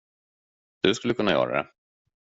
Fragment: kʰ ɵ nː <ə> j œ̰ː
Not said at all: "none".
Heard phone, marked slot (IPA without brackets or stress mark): a